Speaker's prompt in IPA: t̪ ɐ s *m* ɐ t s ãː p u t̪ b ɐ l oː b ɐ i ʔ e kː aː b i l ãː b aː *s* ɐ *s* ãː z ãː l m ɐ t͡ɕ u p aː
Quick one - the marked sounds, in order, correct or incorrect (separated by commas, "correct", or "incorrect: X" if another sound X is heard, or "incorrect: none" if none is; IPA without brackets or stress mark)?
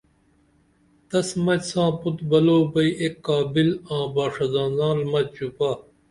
correct, incorrect: ʂ, incorrect: z